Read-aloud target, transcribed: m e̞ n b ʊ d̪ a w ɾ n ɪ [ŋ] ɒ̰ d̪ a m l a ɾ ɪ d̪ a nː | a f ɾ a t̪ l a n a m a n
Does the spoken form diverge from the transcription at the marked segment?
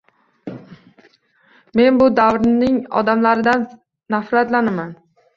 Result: no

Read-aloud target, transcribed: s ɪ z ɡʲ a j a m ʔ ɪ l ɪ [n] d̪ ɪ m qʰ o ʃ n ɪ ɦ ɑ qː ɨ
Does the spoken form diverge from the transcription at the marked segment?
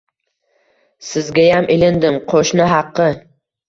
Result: no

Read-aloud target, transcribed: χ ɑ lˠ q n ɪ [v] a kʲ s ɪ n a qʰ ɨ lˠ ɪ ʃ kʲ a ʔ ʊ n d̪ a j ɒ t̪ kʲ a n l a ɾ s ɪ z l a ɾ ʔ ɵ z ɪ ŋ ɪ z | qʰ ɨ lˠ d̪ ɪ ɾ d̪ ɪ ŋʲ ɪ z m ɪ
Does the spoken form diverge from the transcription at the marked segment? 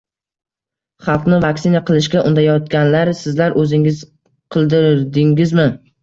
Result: no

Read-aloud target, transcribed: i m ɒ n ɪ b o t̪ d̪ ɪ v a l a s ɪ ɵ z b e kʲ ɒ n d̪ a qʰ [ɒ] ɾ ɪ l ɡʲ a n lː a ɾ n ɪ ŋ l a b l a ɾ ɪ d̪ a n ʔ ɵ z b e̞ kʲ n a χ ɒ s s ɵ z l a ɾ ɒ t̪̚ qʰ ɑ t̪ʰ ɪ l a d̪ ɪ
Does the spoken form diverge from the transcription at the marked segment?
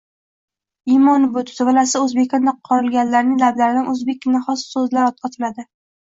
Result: no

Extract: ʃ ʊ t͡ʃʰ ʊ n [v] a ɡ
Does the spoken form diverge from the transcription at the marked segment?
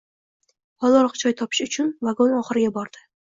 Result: no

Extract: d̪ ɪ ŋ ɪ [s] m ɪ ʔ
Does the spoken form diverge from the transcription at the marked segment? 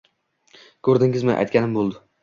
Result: yes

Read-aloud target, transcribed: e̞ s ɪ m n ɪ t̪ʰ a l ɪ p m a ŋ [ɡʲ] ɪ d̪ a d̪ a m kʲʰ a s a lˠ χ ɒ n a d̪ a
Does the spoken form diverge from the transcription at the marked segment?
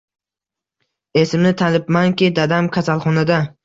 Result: yes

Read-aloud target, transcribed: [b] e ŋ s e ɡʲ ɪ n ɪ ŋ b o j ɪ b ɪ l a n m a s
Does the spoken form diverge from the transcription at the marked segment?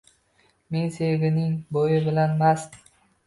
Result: yes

